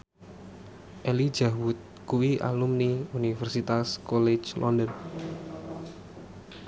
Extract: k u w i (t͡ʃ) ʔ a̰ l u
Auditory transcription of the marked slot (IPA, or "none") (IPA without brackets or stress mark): none